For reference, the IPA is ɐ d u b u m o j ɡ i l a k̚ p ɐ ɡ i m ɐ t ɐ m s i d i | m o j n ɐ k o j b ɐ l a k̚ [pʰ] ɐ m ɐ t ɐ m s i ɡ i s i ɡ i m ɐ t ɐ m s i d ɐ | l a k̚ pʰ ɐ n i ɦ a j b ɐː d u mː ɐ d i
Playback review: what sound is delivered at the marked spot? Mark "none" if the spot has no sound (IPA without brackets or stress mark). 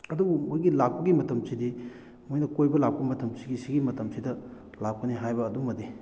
p